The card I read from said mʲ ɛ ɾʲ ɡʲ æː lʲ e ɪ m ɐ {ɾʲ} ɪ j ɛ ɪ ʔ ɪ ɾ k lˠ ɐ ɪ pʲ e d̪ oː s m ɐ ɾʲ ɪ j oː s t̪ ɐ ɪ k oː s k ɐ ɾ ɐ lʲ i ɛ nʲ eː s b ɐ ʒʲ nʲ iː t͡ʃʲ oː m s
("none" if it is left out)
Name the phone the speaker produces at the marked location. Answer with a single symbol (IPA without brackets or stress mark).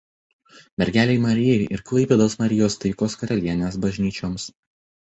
ɾʲ